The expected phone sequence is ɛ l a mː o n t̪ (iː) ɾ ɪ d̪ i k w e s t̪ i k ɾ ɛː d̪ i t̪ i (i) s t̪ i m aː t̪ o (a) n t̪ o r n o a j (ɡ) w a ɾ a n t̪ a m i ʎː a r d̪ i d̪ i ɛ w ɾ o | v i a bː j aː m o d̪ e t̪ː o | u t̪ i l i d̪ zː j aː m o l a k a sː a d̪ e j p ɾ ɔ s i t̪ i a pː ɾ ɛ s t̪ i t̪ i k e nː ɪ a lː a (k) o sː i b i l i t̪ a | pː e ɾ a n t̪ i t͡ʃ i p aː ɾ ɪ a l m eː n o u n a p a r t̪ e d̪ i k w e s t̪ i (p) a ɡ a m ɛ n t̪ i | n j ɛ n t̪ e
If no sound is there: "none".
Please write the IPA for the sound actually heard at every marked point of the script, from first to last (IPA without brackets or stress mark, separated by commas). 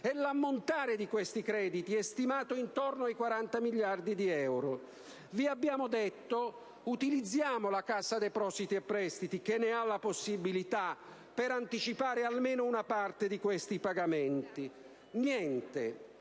aː, ɛ, i, k, p, p